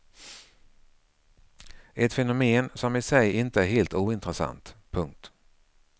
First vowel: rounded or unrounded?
unrounded